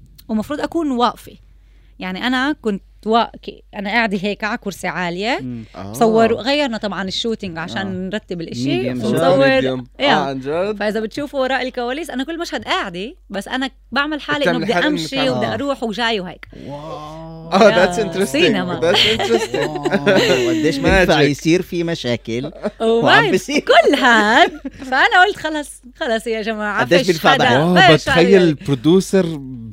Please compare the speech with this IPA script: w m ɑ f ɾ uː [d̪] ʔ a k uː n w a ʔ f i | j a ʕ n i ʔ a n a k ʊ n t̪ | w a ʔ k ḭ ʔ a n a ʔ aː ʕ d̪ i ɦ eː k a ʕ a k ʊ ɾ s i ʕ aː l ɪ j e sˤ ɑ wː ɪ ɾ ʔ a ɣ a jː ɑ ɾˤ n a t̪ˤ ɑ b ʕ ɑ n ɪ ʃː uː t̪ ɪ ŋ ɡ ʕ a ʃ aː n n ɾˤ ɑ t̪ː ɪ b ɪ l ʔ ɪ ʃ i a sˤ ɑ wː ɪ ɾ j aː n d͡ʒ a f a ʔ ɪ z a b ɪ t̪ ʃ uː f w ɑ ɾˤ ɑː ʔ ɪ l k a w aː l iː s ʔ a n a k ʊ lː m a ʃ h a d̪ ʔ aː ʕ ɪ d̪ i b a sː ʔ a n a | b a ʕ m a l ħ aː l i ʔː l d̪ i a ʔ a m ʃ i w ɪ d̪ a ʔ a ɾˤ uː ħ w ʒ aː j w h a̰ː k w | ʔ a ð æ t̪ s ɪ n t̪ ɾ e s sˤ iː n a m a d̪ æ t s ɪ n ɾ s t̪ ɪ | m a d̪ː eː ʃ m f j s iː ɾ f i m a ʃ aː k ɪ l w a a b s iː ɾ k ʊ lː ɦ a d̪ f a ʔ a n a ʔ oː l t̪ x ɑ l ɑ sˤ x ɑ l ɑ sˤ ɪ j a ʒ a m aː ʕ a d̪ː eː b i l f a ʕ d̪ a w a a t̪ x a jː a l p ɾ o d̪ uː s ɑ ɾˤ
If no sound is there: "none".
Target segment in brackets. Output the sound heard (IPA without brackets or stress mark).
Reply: d̪